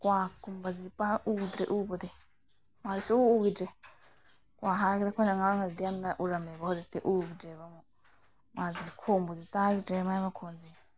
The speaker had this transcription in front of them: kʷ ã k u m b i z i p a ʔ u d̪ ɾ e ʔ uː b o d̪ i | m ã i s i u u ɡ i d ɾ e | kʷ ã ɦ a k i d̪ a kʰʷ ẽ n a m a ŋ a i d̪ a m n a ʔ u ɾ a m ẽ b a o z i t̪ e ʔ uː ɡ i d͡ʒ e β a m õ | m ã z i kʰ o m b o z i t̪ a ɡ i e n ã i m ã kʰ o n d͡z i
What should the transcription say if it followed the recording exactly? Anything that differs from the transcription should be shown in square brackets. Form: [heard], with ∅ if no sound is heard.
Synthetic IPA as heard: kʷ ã k u m b [a] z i p a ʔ u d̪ ɾ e ʔ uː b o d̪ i | m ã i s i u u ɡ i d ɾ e | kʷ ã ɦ a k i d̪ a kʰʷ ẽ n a [ŋ] a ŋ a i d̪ a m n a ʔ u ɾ a m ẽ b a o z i t̪ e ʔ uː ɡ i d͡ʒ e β a m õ | m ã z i kʰ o m b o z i t̪ a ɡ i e [m] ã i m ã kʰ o n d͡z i